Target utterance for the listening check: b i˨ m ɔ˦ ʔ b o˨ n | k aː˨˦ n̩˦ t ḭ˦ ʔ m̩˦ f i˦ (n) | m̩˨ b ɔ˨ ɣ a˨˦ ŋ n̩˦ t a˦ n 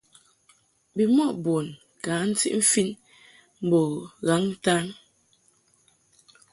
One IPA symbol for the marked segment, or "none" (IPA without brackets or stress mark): n